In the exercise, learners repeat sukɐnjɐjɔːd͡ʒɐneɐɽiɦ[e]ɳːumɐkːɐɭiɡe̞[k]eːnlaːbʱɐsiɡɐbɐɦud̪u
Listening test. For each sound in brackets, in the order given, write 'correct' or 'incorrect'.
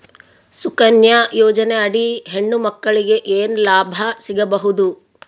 correct, incorrect: ʔ

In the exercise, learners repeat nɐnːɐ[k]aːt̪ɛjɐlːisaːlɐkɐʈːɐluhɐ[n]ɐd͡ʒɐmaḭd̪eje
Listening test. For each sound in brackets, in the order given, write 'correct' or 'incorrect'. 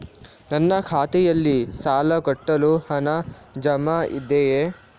incorrect: kʰ, correct

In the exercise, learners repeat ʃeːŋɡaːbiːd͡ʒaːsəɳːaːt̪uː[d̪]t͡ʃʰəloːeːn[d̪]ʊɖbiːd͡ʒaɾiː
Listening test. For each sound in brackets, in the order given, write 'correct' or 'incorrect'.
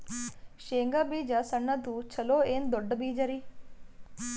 incorrect: none, correct

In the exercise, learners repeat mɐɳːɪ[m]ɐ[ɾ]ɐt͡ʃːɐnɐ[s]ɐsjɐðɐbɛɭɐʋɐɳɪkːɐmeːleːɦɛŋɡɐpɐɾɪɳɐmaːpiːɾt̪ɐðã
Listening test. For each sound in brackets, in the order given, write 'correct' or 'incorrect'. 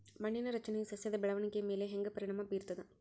incorrect: n, correct, correct

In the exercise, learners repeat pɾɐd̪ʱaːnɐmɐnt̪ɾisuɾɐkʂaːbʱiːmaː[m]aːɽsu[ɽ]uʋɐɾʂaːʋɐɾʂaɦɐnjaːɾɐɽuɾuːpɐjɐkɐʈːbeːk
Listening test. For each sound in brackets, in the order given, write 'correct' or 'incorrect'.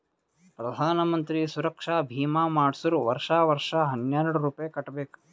correct, incorrect: ɾ

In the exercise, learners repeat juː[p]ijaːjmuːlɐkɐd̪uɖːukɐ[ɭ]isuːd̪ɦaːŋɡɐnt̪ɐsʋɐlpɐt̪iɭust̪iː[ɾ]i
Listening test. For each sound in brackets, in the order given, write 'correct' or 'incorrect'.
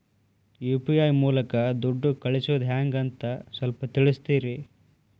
correct, correct, correct

